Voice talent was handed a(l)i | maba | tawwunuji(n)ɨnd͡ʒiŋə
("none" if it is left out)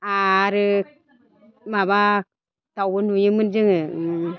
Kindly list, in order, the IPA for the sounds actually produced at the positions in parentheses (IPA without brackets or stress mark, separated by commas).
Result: ɾ, m